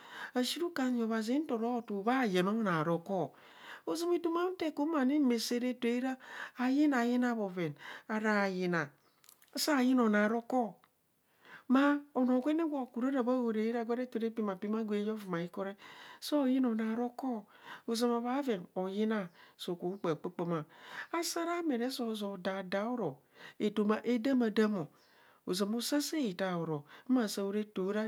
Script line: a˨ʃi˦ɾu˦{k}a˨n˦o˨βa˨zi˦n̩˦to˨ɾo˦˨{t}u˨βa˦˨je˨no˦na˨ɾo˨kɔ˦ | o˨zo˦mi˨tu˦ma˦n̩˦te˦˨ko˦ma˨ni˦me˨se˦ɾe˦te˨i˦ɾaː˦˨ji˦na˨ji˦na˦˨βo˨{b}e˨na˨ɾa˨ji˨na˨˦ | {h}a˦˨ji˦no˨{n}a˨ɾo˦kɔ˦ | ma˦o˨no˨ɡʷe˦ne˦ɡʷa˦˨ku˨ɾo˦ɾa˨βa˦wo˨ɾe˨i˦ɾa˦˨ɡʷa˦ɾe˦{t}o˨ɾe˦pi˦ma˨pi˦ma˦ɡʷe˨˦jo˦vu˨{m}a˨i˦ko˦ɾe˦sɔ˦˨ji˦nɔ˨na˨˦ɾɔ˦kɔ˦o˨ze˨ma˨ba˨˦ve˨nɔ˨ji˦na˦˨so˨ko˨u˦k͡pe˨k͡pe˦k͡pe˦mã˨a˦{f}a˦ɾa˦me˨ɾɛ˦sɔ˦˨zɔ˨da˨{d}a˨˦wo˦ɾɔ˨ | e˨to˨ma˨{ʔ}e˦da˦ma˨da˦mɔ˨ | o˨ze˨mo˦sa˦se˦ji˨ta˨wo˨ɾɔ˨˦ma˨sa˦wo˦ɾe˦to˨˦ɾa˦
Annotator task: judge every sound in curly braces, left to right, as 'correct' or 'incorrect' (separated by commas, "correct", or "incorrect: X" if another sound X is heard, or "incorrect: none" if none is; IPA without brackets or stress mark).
correct, correct, incorrect: v, incorrect: s, correct, correct, correct, incorrect: s, correct, correct